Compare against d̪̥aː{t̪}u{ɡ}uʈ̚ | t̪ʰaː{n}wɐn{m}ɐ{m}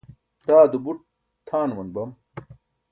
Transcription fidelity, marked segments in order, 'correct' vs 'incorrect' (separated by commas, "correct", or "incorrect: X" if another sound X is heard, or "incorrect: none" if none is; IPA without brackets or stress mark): incorrect: d̪, incorrect: b, correct, incorrect: b, correct